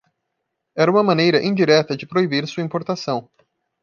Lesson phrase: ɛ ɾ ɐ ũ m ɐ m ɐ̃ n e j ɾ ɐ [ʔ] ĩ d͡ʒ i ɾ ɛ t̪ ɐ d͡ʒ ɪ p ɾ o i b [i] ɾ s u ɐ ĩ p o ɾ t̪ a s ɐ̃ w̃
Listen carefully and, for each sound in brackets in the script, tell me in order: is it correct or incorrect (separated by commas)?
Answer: correct, correct